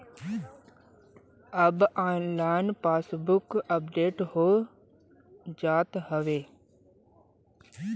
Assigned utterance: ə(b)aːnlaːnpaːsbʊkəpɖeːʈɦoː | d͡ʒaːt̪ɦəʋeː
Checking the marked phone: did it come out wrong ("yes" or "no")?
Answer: no